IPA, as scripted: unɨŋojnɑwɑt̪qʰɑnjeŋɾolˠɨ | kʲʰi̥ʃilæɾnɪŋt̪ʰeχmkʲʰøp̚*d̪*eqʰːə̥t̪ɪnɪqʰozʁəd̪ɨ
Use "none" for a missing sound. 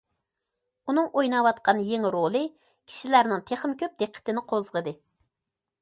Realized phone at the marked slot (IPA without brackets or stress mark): d̪